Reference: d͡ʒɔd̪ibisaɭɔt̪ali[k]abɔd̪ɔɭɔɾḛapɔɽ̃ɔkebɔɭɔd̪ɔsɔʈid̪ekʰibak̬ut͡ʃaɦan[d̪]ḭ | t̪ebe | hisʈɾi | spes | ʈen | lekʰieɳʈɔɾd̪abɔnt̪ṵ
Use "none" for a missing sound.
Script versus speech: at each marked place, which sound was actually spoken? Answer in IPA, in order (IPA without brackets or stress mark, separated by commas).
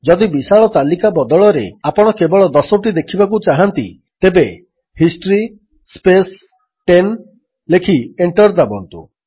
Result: k, t̪